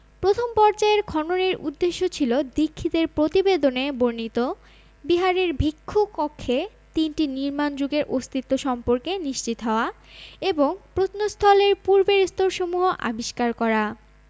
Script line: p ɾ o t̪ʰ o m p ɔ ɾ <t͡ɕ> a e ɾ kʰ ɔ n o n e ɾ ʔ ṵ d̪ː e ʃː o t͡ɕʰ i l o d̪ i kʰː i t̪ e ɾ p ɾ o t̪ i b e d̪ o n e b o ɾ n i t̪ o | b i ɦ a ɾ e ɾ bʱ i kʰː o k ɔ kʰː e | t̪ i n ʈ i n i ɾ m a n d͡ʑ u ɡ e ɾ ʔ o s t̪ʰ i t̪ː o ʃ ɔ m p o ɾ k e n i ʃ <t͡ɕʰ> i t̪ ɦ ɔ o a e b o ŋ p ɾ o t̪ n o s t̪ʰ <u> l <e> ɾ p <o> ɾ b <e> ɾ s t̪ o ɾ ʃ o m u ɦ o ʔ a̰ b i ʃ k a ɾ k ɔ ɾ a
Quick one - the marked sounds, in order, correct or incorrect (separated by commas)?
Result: correct, incorrect, incorrect, correct, incorrect, correct